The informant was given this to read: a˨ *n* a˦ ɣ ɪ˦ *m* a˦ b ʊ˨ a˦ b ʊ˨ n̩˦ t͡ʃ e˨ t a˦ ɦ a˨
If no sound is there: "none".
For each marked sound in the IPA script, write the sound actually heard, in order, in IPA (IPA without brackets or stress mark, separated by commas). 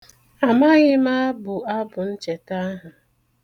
m, m